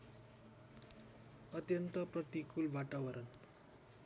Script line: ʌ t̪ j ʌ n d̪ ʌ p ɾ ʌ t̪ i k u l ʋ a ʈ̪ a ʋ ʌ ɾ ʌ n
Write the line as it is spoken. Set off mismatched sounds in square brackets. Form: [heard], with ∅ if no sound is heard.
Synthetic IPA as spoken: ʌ t̪ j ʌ n [t̪] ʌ p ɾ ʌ t̪ i k u l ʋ a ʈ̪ a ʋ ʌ ɾ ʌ n